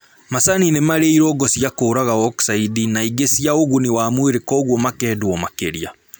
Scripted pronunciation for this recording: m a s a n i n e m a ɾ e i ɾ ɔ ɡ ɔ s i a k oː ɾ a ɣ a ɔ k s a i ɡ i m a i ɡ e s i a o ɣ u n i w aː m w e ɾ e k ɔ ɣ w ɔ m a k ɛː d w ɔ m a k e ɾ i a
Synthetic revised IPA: m a s a n i n e m a ɾ e i ɾ ɔ ɡ ɔ s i a k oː ɾ a ɣ a ɔ k s a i d i n a i ɡ e s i a o ɣ u n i w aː m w e ɾ e k ɔ ɣ w ɔ m a k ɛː d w ɔ m a k e ɾ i a